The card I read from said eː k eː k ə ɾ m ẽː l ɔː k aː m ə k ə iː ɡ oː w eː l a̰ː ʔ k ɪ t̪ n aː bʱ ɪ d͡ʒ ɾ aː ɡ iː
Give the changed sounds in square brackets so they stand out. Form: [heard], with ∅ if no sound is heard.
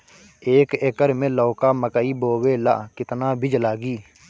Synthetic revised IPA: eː k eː k ə ɾ m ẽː l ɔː k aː m ə k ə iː [b] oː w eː l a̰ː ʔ k ɪ t̪ n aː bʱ ɪ d͡ʒ [l] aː ɡ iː